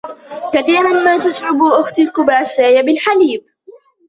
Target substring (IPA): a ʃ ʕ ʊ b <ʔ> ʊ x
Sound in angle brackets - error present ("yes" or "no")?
no